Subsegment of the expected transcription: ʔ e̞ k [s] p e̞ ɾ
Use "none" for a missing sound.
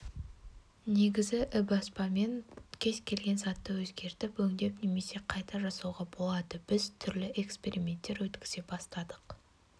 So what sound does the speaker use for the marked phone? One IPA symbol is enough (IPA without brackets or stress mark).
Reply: s